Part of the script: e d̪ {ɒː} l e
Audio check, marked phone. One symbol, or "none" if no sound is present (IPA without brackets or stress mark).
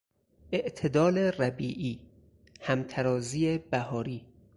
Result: ɒː